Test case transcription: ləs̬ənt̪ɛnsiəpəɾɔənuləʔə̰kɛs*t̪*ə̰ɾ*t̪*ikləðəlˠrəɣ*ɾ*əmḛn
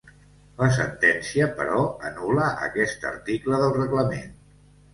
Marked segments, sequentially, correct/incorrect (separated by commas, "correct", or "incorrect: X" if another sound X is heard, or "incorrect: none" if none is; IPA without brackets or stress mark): correct, correct, incorrect: l